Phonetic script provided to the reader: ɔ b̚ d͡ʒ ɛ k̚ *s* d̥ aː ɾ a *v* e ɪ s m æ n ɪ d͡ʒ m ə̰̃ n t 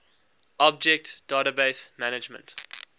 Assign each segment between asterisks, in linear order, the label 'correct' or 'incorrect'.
incorrect: t, incorrect: b

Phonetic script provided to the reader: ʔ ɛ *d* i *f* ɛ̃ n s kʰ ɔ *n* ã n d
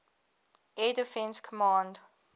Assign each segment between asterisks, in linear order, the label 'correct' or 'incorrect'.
correct, correct, incorrect: m

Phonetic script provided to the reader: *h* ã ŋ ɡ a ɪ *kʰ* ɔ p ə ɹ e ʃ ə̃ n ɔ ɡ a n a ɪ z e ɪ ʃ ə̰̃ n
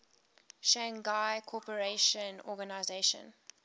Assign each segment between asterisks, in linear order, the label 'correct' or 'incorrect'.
incorrect: ʃ, correct

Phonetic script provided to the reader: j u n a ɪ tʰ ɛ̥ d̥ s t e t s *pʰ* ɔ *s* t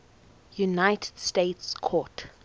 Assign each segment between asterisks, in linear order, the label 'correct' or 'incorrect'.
incorrect: kʰ, incorrect: none

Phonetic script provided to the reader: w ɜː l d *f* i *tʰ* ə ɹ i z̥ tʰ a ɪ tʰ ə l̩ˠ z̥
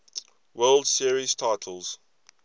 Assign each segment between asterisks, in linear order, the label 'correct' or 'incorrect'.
incorrect: s, incorrect: none

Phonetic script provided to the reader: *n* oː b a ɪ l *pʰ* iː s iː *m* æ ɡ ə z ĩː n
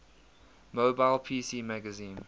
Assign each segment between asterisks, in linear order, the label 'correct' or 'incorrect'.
incorrect: m, correct, correct

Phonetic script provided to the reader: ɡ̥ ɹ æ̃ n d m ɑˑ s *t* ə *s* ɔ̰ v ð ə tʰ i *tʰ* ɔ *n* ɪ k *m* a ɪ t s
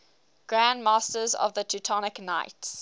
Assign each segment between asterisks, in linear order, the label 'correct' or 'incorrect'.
correct, incorrect: z, correct, correct, incorrect: n

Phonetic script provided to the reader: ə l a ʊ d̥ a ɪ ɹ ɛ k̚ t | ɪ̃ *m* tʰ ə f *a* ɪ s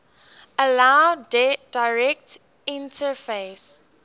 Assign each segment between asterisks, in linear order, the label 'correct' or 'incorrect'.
incorrect: n, incorrect: e

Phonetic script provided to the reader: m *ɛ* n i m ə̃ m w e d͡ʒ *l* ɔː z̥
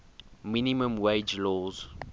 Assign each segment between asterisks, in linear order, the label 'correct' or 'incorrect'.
incorrect: i, correct

